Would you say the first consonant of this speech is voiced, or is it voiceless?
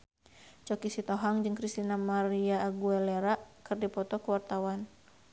voiceless